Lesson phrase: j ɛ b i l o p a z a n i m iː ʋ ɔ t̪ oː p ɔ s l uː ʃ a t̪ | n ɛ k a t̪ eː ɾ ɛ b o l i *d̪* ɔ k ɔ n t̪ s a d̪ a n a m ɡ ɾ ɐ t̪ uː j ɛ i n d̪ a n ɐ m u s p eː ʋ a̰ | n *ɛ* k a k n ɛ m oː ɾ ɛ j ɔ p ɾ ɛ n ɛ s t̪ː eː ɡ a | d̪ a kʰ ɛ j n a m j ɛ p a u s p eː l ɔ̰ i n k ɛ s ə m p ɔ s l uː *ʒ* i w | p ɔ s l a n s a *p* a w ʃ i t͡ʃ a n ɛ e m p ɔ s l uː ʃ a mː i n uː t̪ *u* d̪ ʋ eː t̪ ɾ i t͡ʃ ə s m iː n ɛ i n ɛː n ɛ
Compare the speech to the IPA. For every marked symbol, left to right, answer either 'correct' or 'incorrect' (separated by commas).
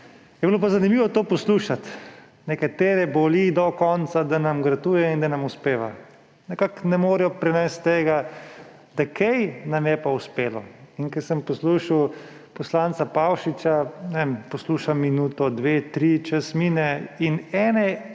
correct, correct, incorrect, correct, incorrect